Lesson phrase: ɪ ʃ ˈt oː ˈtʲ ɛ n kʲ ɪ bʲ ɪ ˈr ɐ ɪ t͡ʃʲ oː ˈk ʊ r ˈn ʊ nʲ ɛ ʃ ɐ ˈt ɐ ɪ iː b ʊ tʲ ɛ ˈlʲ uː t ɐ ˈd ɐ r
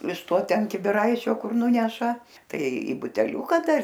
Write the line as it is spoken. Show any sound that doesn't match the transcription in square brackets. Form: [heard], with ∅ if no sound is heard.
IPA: ɪ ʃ ˈt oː ˈtʲ ɛ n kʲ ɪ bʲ ɪ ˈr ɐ ɪ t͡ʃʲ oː ˈk ʊ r ˈn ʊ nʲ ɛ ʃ ɐ ˈt ɐ ɪ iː b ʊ tʲ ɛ ˈlʲ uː [k] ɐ ˈd ɐ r